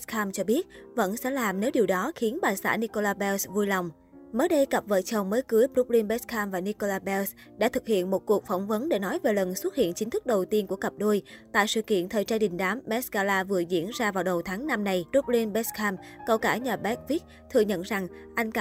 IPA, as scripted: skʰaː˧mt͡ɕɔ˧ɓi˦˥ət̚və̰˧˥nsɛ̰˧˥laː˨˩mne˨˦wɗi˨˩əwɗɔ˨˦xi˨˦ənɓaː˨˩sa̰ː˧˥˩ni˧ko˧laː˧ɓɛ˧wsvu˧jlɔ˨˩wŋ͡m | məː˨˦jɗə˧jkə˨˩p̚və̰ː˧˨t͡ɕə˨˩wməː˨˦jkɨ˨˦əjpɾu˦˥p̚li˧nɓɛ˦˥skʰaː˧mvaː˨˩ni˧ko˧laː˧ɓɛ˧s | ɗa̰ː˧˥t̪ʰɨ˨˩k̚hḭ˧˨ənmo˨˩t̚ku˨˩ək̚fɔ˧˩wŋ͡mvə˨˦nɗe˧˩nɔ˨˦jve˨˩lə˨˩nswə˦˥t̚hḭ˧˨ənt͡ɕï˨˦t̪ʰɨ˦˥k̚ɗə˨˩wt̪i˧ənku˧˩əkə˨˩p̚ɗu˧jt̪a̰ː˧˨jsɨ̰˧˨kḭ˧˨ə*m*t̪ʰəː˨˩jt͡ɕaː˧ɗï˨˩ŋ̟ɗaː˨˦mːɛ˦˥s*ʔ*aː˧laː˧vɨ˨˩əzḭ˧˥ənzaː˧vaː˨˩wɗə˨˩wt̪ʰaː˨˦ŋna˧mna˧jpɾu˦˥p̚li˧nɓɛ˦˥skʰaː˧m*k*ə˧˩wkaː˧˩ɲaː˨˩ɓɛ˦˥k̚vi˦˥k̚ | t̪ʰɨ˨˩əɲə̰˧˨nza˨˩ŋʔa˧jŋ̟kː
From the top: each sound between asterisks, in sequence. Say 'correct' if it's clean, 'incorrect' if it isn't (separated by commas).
incorrect, incorrect, correct